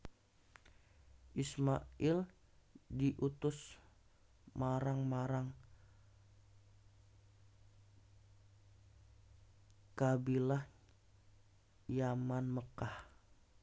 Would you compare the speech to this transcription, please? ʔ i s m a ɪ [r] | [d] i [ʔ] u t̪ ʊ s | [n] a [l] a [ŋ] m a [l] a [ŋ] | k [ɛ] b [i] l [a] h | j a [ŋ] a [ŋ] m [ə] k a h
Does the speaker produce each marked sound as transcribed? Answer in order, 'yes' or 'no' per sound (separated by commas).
no, yes, yes, no, no, yes, no, yes, no, yes, yes, no, no, yes